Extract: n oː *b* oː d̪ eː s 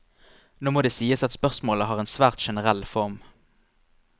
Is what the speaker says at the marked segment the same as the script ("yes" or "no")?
no